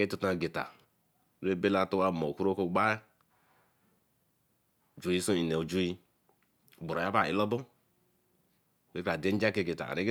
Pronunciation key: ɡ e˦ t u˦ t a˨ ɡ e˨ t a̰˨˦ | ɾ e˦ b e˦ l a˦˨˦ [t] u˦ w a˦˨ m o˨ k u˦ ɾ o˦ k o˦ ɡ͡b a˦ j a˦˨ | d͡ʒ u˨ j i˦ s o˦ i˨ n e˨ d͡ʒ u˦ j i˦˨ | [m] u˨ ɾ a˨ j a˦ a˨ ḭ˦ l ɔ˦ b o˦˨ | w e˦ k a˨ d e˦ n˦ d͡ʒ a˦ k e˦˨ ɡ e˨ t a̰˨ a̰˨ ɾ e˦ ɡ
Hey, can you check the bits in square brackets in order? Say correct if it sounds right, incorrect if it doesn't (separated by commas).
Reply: correct, incorrect